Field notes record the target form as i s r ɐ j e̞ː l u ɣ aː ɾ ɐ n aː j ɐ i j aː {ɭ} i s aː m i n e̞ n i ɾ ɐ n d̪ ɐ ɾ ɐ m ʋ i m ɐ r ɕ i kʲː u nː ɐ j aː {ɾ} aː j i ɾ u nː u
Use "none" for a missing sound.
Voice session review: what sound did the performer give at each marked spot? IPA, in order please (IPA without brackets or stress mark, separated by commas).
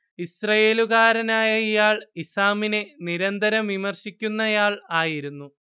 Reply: ɭ, ɭ